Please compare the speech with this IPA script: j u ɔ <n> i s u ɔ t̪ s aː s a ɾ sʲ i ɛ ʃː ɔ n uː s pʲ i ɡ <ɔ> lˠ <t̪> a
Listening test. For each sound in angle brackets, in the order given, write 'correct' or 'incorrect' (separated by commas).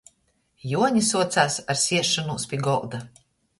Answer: incorrect, correct, incorrect